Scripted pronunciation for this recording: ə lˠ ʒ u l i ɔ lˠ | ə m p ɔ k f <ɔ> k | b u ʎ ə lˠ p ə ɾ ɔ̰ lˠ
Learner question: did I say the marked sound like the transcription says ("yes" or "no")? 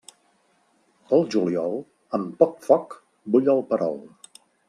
yes